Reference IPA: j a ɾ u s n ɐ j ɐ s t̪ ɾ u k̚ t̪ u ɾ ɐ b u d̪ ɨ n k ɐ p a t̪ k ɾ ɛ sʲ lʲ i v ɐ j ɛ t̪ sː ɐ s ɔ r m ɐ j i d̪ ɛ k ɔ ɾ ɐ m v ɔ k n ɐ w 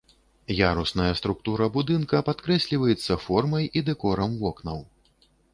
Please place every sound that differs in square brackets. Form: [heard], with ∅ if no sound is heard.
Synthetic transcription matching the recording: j a ɾ u s n ɐ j ɐ s t̪ ɾ u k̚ t̪ u ɾ ɐ b u d̪ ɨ n k ɐ p a t̪ k ɾ ɛ sʲ lʲ i v ɐ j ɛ t̪ sː ɐ [f] ɔ r m ɐ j i d̪ ɛ k ɔ ɾ ɐ m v ɔ k n ɐ w